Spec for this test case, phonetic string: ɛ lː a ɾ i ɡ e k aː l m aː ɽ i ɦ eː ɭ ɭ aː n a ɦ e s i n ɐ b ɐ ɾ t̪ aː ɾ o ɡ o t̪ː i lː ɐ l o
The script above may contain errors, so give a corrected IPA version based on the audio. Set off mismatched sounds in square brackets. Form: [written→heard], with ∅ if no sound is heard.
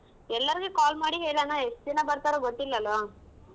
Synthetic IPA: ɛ lː [a→ɐ] ɾ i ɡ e k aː l m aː ɽ i ɦ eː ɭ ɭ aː n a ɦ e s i n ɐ b ɐ ɾ t̪ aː ɾ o ɡ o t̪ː i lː ɐ l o